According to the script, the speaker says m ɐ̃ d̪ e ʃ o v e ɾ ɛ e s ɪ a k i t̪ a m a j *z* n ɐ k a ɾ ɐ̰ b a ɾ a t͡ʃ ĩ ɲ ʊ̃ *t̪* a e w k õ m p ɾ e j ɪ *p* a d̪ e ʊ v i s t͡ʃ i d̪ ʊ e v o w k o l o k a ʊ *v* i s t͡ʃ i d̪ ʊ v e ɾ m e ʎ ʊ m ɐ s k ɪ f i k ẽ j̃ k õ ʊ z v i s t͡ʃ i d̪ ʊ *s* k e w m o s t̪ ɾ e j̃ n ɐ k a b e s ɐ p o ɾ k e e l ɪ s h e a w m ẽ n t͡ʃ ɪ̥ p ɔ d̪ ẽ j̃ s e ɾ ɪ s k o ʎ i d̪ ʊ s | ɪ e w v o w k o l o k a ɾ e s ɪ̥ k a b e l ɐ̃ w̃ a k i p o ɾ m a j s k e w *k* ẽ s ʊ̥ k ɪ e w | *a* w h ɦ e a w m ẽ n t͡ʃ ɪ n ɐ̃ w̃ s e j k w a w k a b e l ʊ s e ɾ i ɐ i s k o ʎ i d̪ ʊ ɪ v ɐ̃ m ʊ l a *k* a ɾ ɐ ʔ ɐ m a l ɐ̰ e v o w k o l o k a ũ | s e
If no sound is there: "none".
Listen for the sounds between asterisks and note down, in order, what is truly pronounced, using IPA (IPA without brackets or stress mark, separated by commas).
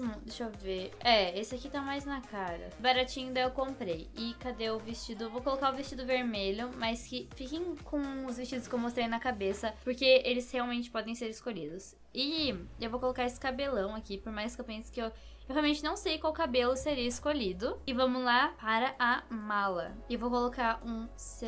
z, d̪, k, v, s, p, e, p